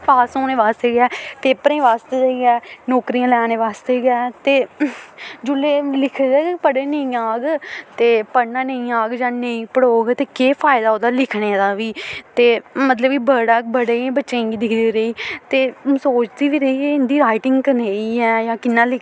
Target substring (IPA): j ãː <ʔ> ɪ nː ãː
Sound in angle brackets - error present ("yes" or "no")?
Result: yes